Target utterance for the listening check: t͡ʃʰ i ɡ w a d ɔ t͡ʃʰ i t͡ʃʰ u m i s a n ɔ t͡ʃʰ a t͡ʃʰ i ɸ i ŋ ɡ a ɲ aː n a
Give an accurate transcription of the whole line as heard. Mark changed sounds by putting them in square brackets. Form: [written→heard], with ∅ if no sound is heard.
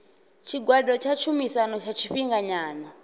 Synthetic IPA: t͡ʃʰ i ɡ w a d ɔ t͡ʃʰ [i→a] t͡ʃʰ u m i s a n ɔ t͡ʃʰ a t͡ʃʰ i ɸ i ŋ ɡ a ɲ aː n a

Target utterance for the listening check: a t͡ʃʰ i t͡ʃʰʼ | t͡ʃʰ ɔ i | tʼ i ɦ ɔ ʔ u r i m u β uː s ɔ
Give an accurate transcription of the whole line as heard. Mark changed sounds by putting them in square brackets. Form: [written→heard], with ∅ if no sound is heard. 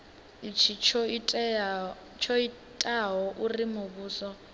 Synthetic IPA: [a→i] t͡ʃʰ i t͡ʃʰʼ | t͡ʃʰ ɔ i | tʼ [i→a] ɦ ɔ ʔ u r i m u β uː s ɔ

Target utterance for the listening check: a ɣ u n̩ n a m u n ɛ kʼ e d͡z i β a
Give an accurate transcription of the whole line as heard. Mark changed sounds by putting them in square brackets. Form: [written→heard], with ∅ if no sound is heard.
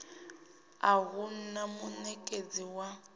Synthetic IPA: a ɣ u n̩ n a m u n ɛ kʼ e d͡z i [β→w] a

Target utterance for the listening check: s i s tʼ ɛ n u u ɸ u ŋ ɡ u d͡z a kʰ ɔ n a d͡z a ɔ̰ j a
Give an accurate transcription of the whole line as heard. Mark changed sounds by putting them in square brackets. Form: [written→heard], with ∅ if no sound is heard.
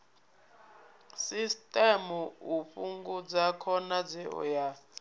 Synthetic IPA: s i s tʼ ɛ [n→m] u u ɸ u ŋ ɡ u d͡z a kʰ ɔ n a d͡z [a→ɛ] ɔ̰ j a

